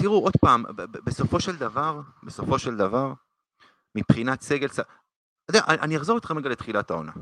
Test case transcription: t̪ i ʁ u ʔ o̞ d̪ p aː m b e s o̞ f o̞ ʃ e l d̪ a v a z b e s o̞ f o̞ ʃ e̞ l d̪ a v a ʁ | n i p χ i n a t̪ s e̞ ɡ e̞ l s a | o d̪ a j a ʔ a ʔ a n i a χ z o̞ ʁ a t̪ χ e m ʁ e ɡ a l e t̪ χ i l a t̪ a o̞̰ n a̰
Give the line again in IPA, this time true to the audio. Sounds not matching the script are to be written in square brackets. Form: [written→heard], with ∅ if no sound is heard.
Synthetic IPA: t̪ i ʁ u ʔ o̞ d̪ p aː m b e s o̞ f o̞ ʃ e l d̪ a v a [z→ʁ] b e s o̞ f o̞ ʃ e̞ l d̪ a v a ʁ | [n→m] i p χ i n a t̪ s e̞ ɡ e̞ l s a | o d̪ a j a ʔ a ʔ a n i a χ z o̞ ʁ [a→i] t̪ χ e m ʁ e ɡ a l e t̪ χ i l a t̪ a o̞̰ n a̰